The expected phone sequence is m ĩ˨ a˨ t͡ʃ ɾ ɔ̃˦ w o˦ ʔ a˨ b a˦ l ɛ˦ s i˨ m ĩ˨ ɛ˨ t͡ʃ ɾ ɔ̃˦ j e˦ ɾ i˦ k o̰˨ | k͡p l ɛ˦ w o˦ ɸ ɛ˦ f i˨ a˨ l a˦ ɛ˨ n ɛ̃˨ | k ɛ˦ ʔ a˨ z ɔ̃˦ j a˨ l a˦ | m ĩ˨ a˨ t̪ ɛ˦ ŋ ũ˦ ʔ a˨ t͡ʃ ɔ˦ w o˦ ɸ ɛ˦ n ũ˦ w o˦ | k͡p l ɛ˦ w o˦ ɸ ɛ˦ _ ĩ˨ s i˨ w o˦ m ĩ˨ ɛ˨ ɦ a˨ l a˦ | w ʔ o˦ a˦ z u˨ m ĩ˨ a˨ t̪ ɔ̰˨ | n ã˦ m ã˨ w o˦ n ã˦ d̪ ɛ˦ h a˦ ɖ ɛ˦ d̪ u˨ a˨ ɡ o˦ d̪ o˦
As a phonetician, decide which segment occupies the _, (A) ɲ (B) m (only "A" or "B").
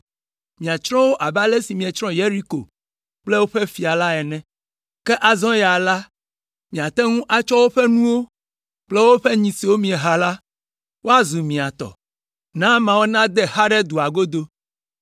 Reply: A